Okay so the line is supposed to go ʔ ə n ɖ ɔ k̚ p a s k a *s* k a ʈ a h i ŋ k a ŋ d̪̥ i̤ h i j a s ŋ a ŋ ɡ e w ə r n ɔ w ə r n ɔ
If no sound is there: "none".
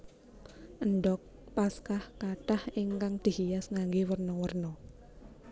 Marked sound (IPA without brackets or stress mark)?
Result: h